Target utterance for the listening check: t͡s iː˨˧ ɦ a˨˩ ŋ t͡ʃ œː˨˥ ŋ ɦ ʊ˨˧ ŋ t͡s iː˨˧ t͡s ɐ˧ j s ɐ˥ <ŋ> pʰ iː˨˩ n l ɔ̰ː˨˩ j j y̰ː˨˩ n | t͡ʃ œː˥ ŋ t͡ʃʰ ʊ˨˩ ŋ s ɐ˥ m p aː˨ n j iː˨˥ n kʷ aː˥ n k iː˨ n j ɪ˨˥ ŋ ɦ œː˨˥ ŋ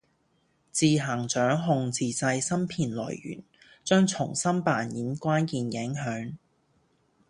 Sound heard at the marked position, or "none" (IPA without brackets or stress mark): m